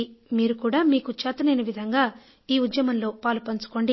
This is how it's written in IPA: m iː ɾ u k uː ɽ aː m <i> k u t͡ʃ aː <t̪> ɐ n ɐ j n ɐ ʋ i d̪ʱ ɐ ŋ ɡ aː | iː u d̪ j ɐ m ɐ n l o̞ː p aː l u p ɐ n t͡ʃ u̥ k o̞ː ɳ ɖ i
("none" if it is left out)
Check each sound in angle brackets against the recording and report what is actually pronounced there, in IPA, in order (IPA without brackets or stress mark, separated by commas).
iː, t̪